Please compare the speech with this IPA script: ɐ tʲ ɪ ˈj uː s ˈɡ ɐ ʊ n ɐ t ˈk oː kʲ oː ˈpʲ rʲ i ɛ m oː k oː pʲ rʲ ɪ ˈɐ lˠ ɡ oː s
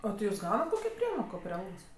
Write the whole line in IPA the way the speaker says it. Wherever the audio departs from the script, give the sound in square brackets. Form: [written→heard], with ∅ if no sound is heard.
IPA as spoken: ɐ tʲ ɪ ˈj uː s ˈɡ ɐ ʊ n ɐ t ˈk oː kʲ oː ˈpʲ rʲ i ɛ m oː k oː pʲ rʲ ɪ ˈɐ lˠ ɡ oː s